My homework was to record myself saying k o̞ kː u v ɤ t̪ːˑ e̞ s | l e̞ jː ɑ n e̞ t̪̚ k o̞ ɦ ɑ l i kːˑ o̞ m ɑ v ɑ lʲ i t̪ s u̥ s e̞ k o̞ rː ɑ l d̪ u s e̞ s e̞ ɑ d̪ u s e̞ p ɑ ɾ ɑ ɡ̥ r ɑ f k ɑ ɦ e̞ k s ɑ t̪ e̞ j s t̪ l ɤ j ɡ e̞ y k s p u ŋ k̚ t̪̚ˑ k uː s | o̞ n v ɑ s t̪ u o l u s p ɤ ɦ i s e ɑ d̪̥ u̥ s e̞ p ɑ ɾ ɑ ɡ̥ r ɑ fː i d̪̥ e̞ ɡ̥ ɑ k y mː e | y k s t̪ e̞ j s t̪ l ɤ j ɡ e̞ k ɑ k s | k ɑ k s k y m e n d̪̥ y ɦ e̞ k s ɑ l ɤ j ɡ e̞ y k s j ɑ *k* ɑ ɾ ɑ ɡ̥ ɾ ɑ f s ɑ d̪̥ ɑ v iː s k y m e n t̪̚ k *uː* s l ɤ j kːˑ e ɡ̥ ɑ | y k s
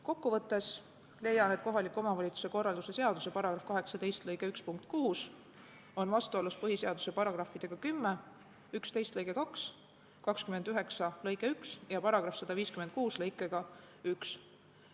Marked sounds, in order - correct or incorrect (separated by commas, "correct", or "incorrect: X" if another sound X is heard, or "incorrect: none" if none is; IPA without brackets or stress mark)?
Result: incorrect: p, correct